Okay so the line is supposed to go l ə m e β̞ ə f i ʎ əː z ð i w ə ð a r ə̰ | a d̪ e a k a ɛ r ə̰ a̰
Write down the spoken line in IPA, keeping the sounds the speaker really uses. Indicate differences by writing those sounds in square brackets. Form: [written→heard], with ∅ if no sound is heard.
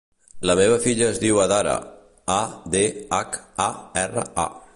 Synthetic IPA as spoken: l ə m e β̞ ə f i ʎ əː z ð i w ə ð a [r→ɾ] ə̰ | a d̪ e a k a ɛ r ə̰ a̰